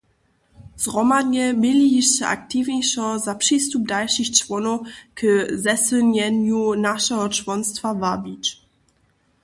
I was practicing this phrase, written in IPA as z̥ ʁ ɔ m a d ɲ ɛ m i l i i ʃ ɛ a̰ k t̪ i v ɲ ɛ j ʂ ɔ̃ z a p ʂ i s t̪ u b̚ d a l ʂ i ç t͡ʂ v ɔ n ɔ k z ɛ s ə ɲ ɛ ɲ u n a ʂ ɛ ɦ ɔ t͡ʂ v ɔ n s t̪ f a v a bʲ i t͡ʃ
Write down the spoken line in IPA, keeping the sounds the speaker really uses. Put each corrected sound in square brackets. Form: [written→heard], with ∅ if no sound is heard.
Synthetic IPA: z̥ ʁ ɔ m a d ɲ ɛ m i l i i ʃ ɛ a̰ k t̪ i v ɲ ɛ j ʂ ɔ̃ z a p ʂ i s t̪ u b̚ d a l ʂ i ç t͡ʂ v ɔ n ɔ k z ɛ s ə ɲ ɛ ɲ u n a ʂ ɛ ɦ ɔ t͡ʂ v ɔ n s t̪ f a v a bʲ i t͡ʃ